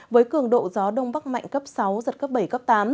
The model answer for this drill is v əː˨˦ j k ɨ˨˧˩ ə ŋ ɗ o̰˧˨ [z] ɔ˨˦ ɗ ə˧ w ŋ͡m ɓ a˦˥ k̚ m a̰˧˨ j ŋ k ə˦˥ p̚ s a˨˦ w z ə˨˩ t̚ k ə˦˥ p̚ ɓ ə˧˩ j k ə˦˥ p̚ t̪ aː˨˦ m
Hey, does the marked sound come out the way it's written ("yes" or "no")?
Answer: yes